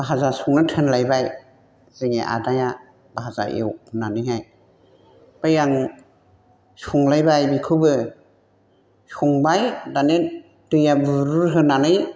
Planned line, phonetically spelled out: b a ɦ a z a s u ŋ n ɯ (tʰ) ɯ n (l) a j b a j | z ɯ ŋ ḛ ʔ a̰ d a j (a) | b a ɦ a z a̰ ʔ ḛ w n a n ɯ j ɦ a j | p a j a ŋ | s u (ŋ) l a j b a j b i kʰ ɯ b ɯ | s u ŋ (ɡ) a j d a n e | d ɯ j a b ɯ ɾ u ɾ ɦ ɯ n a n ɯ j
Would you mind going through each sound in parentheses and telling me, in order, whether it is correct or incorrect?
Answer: correct, correct, correct, correct, incorrect: b

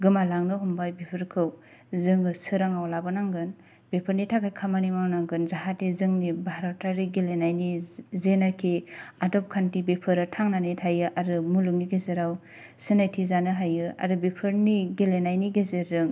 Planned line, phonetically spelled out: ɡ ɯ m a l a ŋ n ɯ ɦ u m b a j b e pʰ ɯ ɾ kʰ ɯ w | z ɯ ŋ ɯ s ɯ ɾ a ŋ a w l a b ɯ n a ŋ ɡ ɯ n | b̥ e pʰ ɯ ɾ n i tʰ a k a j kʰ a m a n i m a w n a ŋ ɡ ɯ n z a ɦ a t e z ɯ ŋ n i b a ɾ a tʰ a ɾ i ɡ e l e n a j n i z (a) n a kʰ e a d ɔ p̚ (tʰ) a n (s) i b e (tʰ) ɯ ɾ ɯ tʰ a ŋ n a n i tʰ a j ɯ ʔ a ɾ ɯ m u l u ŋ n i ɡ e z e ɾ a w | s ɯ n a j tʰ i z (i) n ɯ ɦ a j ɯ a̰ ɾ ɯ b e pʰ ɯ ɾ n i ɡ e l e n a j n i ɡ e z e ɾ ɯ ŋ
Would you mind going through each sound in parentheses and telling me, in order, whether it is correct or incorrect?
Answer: incorrect: e, incorrect: kʰ, incorrect: t, incorrect: pʰ, incorrect: a

